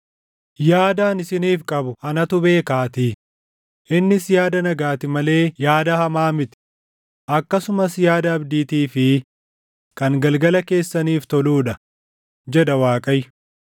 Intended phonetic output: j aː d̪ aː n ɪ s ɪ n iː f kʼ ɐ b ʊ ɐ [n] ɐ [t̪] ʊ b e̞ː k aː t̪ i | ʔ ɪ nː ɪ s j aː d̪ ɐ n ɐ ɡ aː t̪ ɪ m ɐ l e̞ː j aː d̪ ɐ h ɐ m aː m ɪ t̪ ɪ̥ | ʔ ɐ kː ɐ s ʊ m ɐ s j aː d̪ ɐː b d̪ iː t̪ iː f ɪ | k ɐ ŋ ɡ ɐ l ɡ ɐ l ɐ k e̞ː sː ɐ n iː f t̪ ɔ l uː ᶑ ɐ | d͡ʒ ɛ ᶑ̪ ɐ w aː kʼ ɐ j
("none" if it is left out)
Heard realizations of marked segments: n, t̪

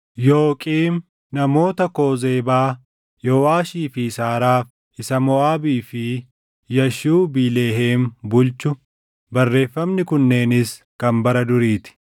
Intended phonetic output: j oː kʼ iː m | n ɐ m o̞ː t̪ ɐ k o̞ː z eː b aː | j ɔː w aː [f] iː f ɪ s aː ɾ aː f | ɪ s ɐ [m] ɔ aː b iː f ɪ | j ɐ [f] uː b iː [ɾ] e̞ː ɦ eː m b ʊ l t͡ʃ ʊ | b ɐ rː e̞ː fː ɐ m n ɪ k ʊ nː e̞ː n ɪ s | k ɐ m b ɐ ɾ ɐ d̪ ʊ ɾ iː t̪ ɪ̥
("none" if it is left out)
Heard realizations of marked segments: ʃ, m, ʃ, l

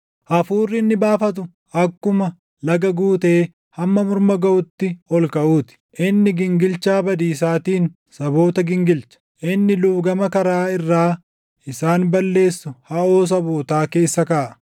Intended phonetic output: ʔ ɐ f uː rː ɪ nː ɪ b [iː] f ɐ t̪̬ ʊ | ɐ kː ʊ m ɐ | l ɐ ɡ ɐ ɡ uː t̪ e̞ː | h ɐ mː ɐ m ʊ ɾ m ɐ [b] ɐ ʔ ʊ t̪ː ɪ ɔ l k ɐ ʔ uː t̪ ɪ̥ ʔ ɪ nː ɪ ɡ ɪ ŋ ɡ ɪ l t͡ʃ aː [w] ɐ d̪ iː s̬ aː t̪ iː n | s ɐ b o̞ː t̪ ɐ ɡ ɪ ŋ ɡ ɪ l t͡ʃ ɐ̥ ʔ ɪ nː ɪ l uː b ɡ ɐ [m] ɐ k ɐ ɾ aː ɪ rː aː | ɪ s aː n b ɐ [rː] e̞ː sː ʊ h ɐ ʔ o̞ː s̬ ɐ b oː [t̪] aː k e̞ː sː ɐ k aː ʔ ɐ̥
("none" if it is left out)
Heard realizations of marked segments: aː, ɡ, b, m, lː, t̪

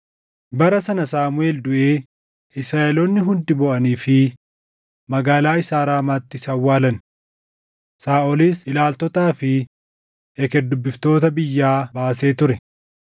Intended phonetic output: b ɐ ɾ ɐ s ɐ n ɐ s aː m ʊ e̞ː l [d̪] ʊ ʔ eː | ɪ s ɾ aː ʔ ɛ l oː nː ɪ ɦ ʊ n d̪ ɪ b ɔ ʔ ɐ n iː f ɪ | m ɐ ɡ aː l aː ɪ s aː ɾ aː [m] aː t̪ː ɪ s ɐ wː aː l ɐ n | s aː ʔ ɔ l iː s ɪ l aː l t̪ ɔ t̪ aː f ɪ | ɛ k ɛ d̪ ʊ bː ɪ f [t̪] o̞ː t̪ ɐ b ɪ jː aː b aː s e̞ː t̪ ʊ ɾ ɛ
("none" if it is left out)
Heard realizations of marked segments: d̪, m, t̪

